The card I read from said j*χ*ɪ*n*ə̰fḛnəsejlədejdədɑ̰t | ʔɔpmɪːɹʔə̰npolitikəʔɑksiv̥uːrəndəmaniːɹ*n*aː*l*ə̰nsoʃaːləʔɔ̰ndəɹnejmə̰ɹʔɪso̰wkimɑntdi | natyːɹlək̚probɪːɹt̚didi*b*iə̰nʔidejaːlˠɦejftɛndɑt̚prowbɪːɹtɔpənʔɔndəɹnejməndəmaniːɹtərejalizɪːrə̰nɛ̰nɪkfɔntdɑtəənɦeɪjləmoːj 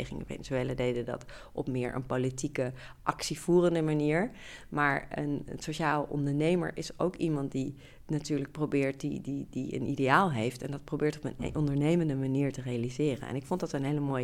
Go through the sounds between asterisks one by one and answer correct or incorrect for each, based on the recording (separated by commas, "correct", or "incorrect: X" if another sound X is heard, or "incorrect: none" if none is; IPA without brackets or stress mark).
correct, incorrect: ŋ, incorrect: m, incorrect: ɹ, incorrect: d